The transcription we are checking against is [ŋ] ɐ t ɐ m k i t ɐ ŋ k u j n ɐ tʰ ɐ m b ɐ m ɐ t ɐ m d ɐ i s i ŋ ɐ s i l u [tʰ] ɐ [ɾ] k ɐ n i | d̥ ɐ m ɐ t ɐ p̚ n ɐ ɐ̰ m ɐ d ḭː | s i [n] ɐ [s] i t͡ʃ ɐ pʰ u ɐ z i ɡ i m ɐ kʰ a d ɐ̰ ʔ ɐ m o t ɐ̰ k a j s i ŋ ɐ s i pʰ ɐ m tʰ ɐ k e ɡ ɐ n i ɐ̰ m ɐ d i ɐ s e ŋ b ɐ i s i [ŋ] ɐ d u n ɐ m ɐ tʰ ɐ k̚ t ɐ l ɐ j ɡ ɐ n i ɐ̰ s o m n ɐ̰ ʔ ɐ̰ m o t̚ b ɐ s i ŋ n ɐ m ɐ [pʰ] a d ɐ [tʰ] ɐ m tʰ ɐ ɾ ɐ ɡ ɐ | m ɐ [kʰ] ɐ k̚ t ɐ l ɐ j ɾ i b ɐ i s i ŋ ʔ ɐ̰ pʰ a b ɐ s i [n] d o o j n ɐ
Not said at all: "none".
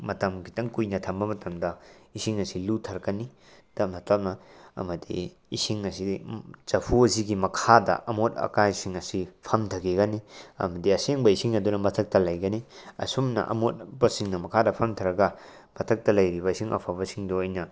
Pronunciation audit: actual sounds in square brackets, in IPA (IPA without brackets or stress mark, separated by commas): m, tʰ, ɾ, ŋ, s, ŋ, kʰ, pʰ, tʰ, ŋ